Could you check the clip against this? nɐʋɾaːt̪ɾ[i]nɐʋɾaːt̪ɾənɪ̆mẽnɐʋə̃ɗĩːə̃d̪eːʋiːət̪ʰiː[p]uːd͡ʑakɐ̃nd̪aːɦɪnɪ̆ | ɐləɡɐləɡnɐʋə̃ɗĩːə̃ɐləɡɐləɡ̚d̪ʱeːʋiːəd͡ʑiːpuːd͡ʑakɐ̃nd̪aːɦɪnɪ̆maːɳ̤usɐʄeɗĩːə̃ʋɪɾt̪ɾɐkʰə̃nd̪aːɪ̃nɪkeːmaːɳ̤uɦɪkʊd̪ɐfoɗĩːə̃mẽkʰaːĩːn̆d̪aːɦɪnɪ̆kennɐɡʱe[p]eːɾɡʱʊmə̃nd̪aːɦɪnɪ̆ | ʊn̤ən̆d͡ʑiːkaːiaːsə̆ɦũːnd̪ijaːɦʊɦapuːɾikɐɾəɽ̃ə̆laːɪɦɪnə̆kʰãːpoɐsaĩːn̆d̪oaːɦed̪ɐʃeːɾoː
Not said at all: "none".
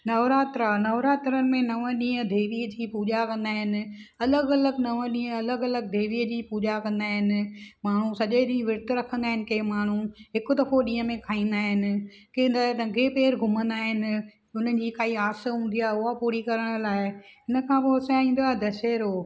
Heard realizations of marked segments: a, p, p

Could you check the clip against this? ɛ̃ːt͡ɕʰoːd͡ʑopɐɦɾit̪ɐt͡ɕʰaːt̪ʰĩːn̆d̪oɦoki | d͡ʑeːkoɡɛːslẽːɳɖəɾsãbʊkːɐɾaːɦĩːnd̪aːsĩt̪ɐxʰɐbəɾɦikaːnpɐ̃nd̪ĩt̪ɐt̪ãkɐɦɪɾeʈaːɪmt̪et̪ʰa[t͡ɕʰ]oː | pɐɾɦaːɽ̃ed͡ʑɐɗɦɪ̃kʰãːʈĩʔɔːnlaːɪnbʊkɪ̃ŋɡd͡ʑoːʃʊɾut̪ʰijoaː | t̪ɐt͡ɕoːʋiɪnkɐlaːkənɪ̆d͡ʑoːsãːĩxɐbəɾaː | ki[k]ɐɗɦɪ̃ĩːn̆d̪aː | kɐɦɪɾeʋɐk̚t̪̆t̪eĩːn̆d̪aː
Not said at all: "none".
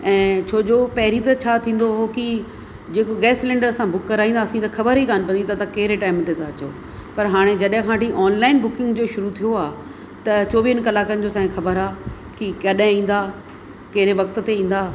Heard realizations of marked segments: t͡ɕ, k

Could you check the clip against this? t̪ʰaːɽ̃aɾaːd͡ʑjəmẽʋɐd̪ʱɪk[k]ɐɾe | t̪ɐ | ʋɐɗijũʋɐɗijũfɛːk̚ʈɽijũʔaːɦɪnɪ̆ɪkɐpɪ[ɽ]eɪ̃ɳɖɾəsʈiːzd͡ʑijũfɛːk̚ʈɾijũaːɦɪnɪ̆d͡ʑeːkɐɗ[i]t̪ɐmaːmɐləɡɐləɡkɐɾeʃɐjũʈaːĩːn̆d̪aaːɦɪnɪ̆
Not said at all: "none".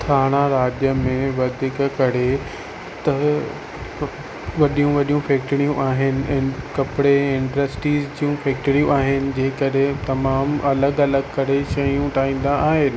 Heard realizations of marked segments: k, ɽ, e

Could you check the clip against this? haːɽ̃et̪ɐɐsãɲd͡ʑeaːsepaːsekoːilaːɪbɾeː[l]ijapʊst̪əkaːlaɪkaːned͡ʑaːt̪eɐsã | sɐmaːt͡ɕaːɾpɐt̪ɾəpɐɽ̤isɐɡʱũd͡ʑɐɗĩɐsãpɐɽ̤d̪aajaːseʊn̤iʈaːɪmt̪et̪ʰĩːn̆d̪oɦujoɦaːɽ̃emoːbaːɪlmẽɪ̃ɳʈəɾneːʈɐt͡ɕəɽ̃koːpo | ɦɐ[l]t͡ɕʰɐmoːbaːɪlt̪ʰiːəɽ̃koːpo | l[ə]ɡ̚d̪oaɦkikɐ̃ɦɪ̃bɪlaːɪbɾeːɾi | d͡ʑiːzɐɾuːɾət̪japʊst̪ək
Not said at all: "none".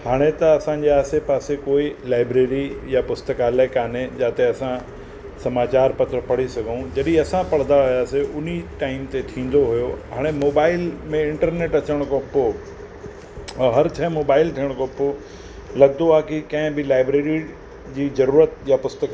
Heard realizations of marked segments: ɾ, ɾ, ɐ

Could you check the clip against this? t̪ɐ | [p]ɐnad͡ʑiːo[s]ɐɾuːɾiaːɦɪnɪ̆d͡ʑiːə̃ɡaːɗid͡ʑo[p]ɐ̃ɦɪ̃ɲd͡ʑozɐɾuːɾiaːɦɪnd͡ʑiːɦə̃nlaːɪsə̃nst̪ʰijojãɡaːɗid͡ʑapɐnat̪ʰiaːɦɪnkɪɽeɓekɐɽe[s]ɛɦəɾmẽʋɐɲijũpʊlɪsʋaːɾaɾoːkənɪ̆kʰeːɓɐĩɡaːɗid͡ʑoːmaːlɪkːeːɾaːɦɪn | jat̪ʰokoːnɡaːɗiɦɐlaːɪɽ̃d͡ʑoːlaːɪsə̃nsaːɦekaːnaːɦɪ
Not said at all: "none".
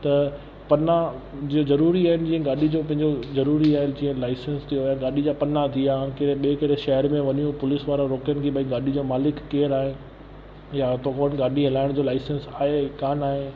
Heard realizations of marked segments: p, z, p, ʃ

